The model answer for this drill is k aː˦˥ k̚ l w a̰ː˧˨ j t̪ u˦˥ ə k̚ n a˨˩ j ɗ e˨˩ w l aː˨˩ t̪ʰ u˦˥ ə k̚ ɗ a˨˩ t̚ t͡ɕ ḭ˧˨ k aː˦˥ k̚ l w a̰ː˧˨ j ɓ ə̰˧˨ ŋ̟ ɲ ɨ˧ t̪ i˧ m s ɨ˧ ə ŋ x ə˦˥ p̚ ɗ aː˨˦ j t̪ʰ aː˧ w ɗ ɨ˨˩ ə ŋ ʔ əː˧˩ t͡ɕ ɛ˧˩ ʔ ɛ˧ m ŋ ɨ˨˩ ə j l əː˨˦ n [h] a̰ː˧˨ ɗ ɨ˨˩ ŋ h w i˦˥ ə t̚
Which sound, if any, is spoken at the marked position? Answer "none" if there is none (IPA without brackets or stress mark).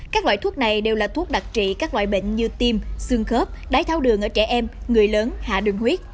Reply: h